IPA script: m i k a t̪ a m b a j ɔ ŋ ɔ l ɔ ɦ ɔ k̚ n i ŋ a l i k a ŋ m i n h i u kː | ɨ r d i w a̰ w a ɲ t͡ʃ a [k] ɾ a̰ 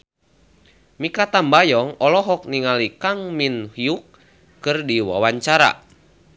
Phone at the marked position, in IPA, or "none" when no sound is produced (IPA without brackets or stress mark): none